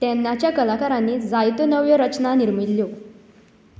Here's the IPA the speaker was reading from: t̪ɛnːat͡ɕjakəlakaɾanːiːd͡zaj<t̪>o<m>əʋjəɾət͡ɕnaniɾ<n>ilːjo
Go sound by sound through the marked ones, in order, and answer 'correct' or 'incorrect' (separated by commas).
correct, incorrect, incorrect